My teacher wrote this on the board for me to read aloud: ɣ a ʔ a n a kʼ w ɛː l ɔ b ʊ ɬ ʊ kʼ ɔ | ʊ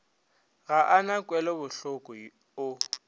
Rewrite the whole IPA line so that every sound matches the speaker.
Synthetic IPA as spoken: ɣ a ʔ a n a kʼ w ɛ l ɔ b ʊ ɬ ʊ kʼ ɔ | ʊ